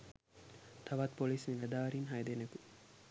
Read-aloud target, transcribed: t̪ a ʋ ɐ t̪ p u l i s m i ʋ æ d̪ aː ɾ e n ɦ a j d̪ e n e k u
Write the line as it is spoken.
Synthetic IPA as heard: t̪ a ʋ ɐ t̪ p o l i s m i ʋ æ d̪ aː ɾ i n ɦ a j d̪ e n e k u